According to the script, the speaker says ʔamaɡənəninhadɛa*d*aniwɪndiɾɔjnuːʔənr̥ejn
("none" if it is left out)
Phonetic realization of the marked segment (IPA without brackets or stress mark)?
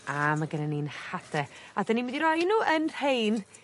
d